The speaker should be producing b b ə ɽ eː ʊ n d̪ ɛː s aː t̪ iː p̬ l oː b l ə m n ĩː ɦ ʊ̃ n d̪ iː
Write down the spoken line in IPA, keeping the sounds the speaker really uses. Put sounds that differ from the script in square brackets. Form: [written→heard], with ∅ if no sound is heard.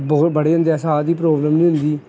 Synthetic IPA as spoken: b b ə ɽ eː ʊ n d̪ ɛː s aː [t̪→d̪] iː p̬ [l→ɾ] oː b l ə m n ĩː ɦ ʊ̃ n d̪ iː